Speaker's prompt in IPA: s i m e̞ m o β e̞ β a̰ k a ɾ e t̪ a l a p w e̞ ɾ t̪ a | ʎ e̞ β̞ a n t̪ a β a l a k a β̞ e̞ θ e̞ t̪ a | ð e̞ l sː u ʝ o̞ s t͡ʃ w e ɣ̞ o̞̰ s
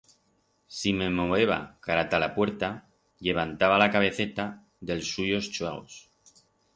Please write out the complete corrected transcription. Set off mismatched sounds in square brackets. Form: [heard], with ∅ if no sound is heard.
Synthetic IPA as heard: s i m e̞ m o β e̞ β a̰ k a ɾ [a] t̪ a l a p w e̞ ɾ t̪ a | ʎ e̞ β̞ a n t̪ a β a l a k a β̞ e̞ θ e̞ t̪ a | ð e̞ l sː u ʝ o̞ s t͡ʃ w e ɣ̞ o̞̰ s